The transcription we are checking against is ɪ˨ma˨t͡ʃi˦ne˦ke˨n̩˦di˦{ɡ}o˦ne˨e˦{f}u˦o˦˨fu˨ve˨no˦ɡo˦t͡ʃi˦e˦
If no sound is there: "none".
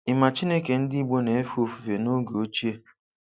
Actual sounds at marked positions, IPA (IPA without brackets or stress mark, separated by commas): ɡ͡b, f